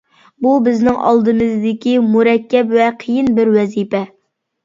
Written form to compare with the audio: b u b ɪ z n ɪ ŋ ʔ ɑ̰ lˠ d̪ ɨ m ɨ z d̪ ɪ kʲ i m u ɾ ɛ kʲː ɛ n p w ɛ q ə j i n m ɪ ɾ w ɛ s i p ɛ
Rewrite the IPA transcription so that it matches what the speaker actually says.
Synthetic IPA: b u b ɪ z n ɪ ŋ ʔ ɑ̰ lˠ d̪ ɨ m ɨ z d̪ ɪ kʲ i m u ɾ ɛ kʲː ɛ p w ɛ qʰ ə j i n b ɪ ɾ w ɛ z i p ɛ

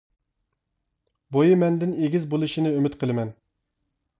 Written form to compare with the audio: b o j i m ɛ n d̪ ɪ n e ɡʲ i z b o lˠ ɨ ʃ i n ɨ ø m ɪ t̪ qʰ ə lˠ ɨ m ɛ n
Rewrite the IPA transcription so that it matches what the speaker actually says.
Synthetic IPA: b o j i m ɛ n d̪ ɪ n e ɡʲ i z b o lˠ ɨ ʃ i n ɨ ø m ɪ t̪ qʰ ə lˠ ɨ m ɛ n

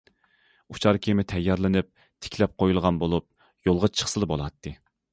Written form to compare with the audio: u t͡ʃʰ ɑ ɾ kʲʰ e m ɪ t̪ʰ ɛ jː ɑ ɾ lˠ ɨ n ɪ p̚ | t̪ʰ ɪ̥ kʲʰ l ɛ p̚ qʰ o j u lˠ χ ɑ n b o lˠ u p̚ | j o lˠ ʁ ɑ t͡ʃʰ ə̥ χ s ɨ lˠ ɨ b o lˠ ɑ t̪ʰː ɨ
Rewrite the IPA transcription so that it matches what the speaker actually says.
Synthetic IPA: u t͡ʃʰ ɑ ɾ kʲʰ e m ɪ t̪ʰ ɛ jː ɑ ɾ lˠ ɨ n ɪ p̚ | t̪ʰ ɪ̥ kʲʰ l ɛ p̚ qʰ o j u lˠ ʁ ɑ n b o lˠ u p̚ | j o lˠ ʁ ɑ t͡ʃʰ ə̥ χ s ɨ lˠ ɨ b o lˠ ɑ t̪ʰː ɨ

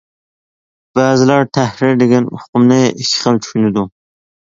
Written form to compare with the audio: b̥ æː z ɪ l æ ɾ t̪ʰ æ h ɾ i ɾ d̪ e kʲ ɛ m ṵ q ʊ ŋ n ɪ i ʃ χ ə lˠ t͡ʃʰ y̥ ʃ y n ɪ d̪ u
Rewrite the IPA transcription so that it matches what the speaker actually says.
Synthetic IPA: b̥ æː z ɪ l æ ɾ t̪ʰ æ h ɾ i ɾ d̪ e ɡʲ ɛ n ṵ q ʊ m n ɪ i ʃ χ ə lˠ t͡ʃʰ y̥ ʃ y n ɪ d̪ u

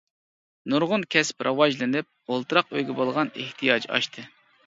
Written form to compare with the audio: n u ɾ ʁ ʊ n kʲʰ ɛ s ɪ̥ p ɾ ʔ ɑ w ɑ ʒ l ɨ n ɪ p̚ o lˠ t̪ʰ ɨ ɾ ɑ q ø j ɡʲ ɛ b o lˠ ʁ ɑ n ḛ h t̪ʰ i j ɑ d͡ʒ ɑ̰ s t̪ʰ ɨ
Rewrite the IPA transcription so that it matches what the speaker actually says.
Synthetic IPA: n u ɾ ʁ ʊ n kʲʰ ɛ s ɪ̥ p ɾ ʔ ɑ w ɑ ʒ l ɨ n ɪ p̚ o lˠ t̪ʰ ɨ ɾ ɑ q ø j ɡʲ ɛ b o lˠ ʁ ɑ n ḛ h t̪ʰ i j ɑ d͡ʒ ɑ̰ ʃ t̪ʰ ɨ

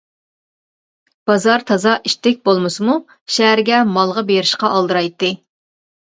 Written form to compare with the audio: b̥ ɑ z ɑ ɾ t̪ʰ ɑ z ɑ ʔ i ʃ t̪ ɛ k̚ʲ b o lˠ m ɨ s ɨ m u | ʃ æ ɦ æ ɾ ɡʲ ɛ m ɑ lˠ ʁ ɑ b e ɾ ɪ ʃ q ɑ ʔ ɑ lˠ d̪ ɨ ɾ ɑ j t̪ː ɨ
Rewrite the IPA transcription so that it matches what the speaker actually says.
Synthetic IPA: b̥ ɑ z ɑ ɾ t̪ʰ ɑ z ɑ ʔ i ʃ t̪ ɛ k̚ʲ b o lˠ m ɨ s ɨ m u | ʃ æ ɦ æ ɾ ɡʲ ɛ m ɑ lˠ ʁ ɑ b e ɾ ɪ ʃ q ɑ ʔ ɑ lˠ d̪ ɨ ɾ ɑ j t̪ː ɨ

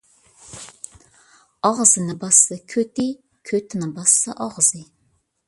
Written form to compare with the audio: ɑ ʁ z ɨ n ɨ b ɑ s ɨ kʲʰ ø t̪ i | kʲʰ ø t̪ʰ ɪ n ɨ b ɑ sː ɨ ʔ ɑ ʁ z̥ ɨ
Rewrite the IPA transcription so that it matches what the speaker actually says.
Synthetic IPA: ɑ ʁ z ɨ n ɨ b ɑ s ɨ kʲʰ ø t̪ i | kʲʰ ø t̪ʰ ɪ n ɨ b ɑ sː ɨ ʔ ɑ ʁ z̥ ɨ

